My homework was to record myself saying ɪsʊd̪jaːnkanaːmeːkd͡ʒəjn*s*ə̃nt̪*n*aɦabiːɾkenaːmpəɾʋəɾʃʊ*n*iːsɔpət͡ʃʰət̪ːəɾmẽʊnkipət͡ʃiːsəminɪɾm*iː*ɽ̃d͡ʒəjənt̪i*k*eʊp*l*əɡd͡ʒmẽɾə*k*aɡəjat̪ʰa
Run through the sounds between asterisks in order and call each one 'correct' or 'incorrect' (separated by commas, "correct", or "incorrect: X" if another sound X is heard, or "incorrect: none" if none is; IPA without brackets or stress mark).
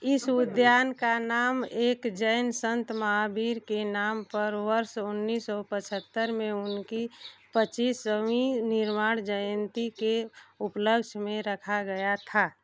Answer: correct, incorrect: m, incorrect: nː, incorrect: aː, correct, correct, incorrect: kʰ